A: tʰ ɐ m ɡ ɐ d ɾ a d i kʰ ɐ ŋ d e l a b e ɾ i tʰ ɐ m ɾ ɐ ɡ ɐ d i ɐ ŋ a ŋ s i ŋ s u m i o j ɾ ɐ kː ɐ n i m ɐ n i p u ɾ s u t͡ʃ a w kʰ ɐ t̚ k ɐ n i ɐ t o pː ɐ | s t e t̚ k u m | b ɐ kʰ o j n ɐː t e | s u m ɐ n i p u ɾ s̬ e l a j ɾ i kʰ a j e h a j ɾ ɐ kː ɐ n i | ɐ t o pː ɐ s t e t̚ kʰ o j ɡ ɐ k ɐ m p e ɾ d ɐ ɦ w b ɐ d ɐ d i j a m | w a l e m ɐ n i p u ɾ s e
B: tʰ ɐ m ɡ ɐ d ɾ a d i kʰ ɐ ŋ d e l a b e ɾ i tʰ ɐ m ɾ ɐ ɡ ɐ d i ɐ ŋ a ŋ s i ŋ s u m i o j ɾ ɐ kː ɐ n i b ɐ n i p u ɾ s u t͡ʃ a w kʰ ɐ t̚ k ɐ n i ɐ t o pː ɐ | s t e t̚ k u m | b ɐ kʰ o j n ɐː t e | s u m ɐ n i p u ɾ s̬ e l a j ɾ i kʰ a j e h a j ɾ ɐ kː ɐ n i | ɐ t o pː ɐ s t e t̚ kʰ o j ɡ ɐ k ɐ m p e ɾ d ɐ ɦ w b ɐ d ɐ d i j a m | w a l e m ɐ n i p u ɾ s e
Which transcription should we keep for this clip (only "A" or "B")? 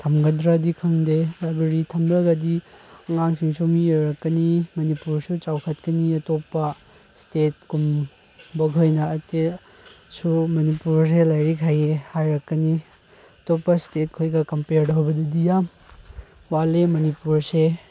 A